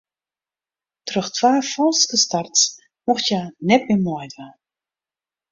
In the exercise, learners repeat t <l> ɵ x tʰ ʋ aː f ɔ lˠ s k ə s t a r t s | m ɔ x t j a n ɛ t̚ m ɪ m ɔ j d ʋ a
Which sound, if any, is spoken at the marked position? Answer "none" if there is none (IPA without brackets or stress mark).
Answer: r